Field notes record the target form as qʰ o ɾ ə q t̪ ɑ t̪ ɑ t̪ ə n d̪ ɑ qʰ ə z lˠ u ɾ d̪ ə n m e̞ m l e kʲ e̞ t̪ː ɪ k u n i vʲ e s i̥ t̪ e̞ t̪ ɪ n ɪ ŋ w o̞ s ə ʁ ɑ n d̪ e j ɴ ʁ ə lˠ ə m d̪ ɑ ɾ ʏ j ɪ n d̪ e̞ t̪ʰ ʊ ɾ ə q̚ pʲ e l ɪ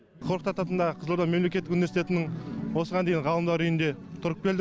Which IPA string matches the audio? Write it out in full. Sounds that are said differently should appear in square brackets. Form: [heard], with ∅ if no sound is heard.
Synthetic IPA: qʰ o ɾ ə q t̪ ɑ t̪ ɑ t̪ ə n d̪ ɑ qʰ ə z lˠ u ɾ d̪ [ɑ] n m e̞ m l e kʲ e̞ t̪ː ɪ k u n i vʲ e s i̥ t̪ e̞ t̪ ɪ n ɪ ŋ w o̞ s ə ʁ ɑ n d̪ e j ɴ ʁ [ɑ] lˠ ə m d̪ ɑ ɾ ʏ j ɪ n d̪ e̞ t̪ʰ ʊ ɾ ə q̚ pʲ e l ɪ